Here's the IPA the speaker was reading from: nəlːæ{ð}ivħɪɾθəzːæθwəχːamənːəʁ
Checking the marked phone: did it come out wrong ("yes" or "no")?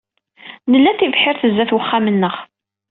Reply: yes